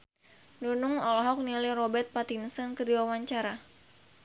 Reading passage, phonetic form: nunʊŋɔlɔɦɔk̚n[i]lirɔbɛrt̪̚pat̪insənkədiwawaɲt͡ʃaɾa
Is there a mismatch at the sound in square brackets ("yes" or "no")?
no